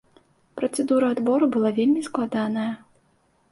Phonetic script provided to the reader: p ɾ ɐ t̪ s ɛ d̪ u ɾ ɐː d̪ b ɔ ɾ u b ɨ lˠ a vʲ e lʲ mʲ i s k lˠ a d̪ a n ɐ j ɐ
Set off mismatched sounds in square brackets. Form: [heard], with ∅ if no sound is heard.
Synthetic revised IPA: p ɾ ɐ t̪ s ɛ d̪ u ɾ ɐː d̪ b ɔ ɾ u b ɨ lˠ a vʲ e lʲ mʲ i s k lˠ a d̪ a n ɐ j ɐ